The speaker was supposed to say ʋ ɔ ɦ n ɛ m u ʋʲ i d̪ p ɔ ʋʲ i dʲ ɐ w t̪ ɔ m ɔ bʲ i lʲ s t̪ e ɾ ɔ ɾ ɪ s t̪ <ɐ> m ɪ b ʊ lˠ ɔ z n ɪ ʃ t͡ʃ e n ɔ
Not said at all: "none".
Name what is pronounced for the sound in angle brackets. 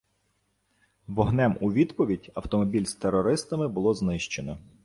ɐ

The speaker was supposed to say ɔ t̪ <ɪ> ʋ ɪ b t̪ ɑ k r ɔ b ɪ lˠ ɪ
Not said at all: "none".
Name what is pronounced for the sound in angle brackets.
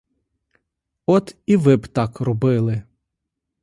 i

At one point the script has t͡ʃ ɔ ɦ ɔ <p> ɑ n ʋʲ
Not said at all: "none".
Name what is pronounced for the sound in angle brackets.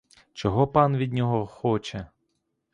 p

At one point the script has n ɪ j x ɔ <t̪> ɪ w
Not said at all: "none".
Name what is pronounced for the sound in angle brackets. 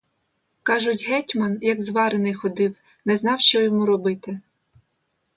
d̪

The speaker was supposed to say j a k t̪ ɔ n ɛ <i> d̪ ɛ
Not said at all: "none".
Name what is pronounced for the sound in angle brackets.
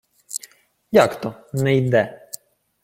j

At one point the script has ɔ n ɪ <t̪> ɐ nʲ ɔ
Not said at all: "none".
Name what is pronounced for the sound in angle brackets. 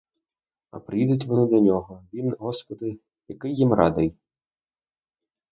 d̪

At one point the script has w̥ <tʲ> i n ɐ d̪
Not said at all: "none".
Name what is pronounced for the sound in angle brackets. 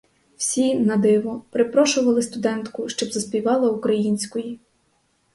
sʲ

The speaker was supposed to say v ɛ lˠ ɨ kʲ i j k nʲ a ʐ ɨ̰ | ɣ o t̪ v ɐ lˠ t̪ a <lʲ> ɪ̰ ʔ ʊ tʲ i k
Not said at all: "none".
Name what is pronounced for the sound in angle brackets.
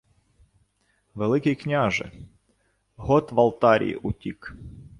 ɾʲ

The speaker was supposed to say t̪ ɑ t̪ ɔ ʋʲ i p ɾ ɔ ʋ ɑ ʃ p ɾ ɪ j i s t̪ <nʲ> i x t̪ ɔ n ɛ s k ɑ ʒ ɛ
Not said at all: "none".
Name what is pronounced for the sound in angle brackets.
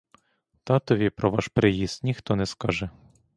nʲ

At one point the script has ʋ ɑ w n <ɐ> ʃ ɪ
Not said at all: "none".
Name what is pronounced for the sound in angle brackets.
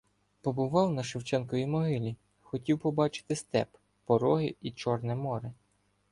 ɐ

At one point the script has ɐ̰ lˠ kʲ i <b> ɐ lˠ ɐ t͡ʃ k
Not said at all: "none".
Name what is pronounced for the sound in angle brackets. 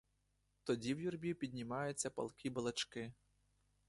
b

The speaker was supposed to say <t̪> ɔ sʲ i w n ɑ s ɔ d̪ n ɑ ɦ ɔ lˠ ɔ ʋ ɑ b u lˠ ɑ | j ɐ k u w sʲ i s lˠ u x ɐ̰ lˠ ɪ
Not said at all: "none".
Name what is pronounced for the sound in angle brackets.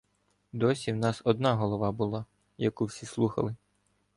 d̪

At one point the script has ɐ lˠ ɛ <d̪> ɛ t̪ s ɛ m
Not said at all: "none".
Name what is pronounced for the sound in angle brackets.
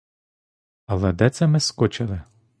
d̪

